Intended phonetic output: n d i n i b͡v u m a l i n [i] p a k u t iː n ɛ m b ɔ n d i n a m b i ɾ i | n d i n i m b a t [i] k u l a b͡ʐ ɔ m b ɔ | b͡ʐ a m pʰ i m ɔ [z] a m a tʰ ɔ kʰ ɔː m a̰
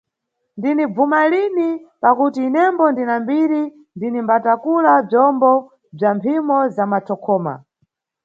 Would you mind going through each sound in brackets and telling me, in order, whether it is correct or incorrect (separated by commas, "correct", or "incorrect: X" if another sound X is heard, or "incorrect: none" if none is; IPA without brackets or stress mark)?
correct, incorrect: a, correct